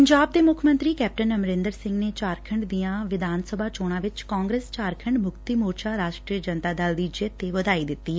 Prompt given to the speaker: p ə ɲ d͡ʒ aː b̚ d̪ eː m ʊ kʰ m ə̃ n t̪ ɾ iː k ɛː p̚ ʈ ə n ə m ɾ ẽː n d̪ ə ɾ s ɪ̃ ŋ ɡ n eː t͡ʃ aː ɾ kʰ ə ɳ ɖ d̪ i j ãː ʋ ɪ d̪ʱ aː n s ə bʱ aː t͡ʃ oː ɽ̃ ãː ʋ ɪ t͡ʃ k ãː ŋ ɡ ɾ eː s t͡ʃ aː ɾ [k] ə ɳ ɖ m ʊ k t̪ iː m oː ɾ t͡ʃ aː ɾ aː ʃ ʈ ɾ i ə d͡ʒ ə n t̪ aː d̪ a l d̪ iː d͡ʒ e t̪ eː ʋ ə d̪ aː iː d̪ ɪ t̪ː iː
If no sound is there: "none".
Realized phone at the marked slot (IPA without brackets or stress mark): kʰ